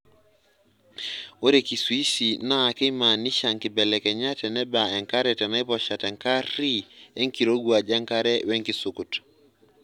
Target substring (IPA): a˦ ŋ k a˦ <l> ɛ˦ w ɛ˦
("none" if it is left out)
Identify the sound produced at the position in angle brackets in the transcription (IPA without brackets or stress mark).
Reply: ɾ